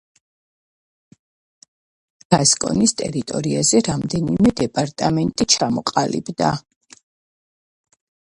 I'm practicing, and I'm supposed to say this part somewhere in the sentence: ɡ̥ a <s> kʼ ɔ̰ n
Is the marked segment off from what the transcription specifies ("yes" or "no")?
no